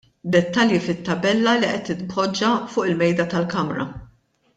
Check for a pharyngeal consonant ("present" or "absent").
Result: absent